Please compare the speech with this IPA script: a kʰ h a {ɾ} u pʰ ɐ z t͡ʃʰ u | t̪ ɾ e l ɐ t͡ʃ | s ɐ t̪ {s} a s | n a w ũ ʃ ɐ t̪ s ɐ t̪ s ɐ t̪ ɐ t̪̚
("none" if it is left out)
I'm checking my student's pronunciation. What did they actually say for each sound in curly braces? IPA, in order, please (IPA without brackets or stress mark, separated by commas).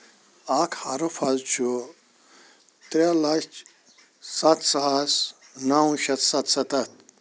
ɾ, s